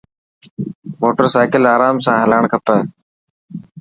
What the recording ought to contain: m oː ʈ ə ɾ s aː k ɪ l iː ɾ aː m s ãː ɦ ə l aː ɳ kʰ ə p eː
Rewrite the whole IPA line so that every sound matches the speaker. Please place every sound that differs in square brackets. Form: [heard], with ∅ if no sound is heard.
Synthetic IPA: m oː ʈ ə ɾ s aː k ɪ l [aː] ɾ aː m s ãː ɦ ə l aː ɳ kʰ ə p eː